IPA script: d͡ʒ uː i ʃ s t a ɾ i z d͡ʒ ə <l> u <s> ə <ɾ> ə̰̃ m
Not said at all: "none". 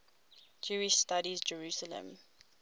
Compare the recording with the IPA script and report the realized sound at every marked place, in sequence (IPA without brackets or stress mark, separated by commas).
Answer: ɹ, s, l